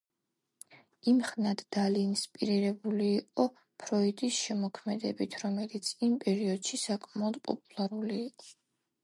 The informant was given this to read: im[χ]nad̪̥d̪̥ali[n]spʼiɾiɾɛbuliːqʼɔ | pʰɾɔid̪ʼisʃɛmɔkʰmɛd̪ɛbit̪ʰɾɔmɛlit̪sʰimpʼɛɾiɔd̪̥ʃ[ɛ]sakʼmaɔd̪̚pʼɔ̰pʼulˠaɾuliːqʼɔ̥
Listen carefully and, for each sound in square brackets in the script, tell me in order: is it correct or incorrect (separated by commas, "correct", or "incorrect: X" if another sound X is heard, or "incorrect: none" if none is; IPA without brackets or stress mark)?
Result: correct, correct, incorrect: i